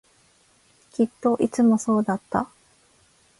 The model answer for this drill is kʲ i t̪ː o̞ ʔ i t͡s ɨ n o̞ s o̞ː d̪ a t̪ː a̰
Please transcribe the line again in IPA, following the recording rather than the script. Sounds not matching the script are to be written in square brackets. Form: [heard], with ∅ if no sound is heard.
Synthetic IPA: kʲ i t̪ː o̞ ʔ i t͡s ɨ [m] o̞ s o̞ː d̪ a t̪ː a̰